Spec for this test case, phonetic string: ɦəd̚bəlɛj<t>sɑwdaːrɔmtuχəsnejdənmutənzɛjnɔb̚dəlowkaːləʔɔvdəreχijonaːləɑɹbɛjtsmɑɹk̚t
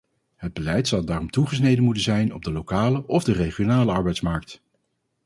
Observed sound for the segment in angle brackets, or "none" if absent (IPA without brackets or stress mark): t